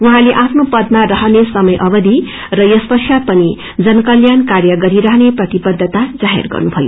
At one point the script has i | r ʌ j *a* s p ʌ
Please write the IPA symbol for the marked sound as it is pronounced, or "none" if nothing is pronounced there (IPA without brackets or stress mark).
ʌ